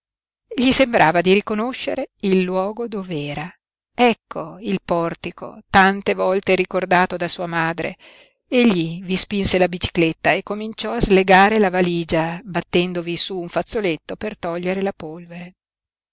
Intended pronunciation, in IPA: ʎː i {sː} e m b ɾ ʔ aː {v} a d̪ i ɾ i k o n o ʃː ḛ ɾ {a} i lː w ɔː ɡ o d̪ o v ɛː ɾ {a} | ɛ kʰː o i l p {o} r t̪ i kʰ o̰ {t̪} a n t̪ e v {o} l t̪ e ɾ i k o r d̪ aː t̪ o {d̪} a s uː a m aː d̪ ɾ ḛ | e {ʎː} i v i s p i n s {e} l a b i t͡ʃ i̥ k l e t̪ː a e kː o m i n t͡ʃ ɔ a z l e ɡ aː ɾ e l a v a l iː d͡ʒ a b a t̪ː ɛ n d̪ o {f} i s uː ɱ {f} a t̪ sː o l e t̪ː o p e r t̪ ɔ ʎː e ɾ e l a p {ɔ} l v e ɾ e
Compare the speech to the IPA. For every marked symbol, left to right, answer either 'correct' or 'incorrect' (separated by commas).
incorrect, correct, incorrect, correct, incorrect, correct, incorrect, correct, correct, correct, incorrect, correct, incorrect